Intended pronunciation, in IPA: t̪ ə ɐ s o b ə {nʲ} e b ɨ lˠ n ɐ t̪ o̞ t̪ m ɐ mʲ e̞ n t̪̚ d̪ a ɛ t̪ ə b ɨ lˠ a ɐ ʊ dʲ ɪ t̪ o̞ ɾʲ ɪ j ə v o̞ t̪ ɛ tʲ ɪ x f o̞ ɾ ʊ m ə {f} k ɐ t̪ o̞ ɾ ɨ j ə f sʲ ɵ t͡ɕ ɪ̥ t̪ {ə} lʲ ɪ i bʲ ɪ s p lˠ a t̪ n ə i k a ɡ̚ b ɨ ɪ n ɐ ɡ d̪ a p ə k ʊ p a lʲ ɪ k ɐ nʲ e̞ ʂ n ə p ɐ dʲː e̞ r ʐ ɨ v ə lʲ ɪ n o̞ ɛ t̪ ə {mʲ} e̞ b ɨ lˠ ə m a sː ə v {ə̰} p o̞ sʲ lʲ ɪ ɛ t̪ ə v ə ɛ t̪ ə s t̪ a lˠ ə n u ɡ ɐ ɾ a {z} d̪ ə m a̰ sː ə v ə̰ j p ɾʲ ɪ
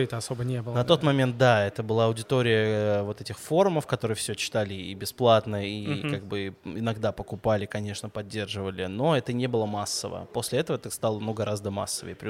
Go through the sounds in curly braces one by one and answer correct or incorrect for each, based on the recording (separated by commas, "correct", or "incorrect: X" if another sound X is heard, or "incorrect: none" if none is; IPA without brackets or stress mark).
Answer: correct, correct, incorrect: a, incorrect: nʲ, correct, correct